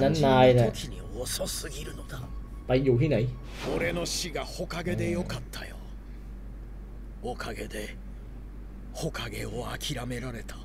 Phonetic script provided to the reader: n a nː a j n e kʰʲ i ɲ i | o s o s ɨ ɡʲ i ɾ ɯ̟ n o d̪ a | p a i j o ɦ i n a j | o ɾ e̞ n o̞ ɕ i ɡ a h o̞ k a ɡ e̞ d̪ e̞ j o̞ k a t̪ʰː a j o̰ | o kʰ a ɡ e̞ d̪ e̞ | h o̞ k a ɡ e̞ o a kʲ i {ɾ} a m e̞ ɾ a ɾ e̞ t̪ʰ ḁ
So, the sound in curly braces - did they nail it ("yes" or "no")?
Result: yes